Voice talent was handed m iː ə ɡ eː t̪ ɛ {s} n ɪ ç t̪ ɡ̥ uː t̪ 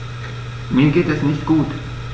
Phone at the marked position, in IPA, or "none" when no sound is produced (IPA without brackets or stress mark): s